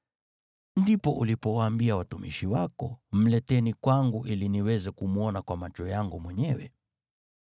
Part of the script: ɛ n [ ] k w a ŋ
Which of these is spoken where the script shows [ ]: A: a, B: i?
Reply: B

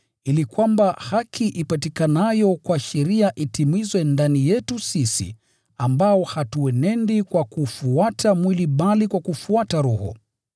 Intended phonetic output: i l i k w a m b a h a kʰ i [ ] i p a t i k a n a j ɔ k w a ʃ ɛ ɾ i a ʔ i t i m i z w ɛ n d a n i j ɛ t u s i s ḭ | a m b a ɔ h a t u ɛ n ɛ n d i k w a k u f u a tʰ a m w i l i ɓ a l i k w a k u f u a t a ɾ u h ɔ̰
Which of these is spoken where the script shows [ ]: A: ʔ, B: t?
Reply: A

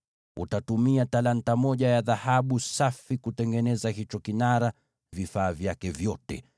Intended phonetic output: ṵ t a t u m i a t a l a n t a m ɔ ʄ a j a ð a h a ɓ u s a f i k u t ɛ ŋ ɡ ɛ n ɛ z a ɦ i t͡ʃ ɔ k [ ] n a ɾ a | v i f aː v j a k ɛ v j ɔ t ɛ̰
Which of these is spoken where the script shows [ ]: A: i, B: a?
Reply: A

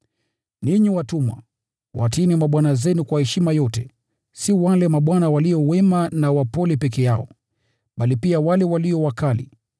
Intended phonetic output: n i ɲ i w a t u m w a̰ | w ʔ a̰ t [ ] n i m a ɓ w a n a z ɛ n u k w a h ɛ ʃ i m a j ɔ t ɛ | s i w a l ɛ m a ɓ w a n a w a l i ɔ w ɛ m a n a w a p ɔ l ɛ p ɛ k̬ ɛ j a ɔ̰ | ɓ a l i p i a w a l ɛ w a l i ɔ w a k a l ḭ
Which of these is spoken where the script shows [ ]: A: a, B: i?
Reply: B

